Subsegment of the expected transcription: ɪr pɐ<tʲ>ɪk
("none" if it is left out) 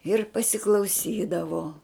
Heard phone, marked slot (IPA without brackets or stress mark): sʲ